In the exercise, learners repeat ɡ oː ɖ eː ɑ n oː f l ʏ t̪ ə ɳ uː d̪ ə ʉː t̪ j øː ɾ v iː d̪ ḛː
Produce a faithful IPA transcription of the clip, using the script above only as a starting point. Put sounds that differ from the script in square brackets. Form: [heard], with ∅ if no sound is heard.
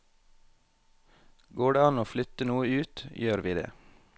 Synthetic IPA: ɡ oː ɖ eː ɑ n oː f l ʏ t̪ ə [n] uː [∅] ə ʉː t̪ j øː ɾ [ʋ] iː d̪ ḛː